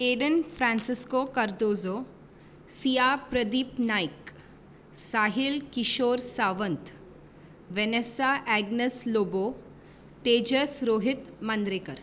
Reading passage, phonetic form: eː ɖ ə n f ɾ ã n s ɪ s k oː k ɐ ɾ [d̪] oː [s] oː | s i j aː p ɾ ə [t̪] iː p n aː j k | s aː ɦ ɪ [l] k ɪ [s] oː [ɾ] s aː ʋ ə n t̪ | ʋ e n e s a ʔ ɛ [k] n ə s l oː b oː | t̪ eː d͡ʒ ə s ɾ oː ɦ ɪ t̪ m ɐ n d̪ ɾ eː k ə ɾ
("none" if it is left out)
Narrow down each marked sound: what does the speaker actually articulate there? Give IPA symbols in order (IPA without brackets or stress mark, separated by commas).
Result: d̪, z, d̪, l, ʃ, ɾ, ɡ